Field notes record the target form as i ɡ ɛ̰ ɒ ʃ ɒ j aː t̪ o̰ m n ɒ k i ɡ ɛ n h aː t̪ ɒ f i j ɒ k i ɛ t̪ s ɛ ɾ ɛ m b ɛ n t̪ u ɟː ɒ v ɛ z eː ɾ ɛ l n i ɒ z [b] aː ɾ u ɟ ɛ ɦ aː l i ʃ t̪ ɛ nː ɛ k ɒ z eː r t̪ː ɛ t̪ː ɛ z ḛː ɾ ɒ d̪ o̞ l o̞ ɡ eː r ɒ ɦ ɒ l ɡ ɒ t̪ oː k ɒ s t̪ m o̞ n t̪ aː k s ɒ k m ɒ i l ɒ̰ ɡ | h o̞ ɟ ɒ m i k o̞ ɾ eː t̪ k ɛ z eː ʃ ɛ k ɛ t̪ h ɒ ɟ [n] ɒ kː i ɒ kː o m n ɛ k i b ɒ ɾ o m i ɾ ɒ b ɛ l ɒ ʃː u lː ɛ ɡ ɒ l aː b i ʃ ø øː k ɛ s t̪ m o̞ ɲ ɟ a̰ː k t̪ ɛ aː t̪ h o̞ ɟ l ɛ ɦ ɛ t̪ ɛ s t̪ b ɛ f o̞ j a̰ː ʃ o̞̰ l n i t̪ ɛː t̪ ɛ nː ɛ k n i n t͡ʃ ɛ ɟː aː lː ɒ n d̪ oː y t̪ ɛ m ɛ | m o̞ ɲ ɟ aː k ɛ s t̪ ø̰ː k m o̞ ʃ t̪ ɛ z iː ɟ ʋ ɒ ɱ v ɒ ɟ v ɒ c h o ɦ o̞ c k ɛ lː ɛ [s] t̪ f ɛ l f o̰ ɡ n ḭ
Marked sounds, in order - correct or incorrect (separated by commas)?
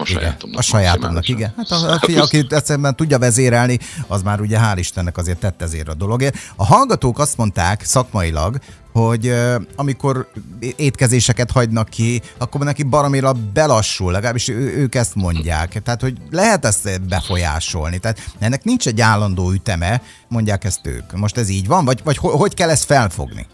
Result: incorrect, correct, correct